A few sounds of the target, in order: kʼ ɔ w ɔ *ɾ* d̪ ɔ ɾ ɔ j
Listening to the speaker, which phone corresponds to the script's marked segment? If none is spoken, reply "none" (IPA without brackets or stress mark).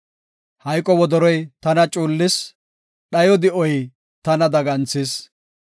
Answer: none